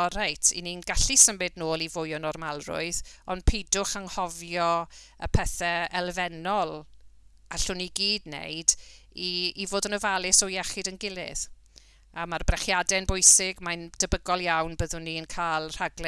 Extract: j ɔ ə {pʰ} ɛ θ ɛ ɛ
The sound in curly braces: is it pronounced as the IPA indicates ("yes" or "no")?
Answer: yes